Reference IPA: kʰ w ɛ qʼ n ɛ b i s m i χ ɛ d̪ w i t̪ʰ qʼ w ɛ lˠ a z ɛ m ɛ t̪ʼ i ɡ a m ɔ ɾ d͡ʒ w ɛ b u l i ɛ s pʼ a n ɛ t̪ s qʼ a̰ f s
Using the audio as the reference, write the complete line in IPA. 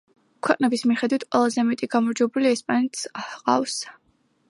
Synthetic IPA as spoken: kʰ w ɛ qʼ n ɛ b i s m i χ ɛ d̪ w i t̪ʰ qʼ w ɛ lˠ a z ɛ m ɛ t̪ʼ i ɡ a m ɔ ɾ d͡ʒ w ɛ b u l i ɛ s pʼ a n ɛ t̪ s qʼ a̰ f s